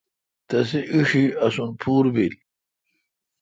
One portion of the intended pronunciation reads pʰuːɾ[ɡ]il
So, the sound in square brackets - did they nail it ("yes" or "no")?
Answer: no